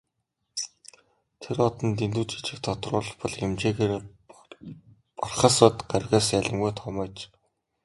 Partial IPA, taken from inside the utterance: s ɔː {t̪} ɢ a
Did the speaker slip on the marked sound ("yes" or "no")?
no